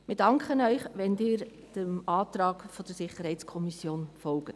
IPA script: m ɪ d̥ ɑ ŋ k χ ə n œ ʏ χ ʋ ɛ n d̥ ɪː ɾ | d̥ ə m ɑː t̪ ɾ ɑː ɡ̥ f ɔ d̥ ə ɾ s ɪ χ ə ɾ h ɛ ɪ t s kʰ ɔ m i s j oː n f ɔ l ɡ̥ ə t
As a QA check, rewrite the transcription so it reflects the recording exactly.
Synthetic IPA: m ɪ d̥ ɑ ŋ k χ ə n œ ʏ χ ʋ ɛ n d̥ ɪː ɾ | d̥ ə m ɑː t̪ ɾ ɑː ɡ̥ f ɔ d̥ ə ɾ s ɪ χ ə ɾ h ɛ ɪ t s kʰ ɔ m i s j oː n f ɔ l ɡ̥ ə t